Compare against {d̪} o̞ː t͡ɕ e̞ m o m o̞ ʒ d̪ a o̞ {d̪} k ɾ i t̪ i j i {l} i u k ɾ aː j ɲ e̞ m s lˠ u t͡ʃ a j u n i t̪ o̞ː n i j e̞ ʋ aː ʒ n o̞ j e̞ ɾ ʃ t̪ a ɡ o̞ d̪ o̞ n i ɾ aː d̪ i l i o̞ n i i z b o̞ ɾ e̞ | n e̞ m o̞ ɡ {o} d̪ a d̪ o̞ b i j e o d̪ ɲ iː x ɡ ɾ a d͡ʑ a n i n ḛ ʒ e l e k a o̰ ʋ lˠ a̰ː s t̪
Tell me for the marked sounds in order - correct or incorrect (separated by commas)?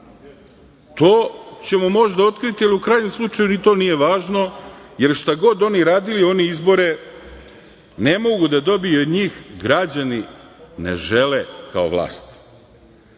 incorrect, incorrect, correct, incorrect